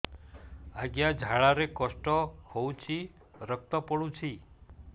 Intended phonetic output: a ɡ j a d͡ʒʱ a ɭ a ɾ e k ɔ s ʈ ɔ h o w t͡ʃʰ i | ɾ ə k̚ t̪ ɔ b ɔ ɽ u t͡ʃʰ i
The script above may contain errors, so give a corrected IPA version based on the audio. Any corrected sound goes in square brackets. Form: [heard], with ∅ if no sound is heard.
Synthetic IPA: a ɡ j a d͡ʒʱ a ɭ a ɾ e k ɔ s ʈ ɔ h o w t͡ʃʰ i | ɾ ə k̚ t̪ ɔ [p] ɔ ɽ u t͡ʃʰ i